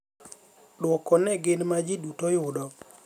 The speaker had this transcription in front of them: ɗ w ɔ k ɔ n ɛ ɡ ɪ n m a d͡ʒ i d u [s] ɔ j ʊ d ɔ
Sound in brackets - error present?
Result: yes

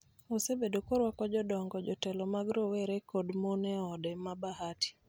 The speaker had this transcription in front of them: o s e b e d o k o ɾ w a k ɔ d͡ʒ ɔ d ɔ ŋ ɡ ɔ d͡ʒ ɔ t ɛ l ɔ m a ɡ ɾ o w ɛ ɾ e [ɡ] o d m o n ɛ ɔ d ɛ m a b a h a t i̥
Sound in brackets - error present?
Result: yes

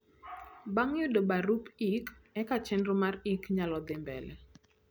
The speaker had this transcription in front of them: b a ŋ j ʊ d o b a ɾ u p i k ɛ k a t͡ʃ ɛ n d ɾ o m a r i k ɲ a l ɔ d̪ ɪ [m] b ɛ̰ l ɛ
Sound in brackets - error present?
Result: no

